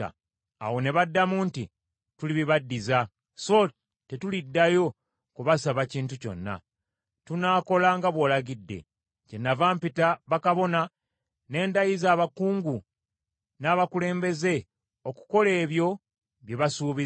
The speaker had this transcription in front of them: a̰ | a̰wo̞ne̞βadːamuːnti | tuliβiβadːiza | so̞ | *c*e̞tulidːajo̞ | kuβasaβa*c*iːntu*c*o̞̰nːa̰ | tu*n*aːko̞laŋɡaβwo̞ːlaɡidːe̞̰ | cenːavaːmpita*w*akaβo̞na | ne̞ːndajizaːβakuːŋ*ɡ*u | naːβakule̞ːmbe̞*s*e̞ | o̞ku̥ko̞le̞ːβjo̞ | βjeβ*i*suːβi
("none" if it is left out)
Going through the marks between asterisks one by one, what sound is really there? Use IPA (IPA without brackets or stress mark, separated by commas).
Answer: t, c, c, n, β, ɡ, z, a